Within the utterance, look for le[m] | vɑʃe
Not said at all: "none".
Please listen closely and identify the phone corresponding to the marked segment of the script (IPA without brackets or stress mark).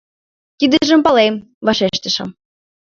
m